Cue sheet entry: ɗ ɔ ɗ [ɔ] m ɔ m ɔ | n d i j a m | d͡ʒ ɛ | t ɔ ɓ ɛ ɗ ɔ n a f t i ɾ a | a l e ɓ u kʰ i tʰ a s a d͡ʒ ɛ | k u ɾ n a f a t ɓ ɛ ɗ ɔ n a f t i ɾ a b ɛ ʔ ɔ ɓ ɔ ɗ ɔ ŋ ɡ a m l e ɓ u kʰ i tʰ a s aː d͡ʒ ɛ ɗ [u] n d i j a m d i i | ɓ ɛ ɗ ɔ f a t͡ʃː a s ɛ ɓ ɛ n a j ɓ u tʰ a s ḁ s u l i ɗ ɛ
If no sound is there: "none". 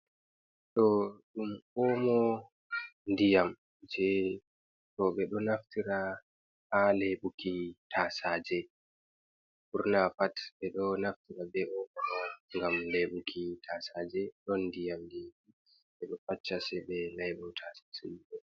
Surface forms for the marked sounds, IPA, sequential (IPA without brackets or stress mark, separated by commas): u, ɔ